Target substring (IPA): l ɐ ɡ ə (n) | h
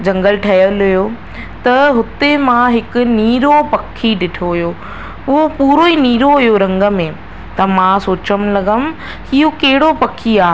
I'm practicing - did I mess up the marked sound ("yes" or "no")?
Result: yes